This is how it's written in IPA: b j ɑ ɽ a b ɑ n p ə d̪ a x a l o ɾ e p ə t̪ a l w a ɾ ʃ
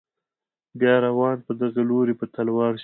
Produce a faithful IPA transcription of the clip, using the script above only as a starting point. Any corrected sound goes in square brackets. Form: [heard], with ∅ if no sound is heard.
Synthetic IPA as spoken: b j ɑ [ɾ] a [w] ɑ n p ə d̪ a [ɣ] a l o ɾ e p ə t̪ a l w [ɑ] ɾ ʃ